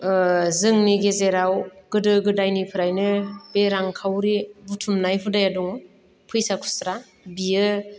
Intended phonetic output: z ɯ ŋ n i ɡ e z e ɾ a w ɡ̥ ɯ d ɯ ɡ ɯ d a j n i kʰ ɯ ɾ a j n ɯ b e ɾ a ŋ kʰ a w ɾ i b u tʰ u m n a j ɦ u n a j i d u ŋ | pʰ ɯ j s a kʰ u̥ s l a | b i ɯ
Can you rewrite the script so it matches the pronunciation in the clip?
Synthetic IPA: z ɯ ŋ n i ɡ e z e ɾ a w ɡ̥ ɯ d ɯ ɡ ɯ d a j n i pʰ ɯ ɾ a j n ɯ b e ɾ a ŋ kʰ a w ɾ i b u tʰ u m n a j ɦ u d a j a d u ŋ | pʰ ɯ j s a kʰ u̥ s ɾ a | b i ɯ